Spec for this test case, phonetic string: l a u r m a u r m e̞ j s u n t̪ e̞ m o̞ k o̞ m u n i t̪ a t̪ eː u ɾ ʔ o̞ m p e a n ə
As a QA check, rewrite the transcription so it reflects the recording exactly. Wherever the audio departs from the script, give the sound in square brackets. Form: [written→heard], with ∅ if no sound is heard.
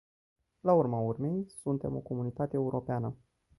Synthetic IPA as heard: l a u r m a u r m e̞ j s u n t̪ e̞ m o̞ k o̞ m u n i t̪ a t̪ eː u ɾ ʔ o̞ [m→∅] p e a n ə